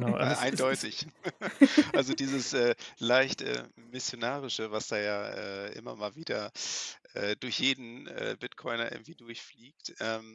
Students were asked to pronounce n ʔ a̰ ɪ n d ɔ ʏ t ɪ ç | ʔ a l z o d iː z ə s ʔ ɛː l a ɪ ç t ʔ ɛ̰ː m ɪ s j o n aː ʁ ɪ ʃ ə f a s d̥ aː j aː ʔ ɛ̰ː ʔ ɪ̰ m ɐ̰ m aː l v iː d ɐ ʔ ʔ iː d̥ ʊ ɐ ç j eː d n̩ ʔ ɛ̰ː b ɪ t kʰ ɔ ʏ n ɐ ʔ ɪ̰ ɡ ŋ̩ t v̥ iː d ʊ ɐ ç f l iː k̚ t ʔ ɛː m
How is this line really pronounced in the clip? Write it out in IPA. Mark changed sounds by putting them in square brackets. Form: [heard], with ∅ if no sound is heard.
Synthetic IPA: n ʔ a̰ ɪ n d ɔ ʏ t ɪ ç | ʔ a l z o d iː z ə s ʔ ɛː l a ɪ ç t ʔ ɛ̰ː m ɪ s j o n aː ʁ ɪ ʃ ə [v] a s d̥ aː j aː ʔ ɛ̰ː ʔ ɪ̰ m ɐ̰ m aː l v iː d ɐ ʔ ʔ [ɛː] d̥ ʊ ɐ ç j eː d n̩ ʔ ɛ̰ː b ɪ t kʰ ɔ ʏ n ɐ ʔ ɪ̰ ɡ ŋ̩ t v̥ iː d ʊ ɐ ç f l iː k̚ t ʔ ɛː m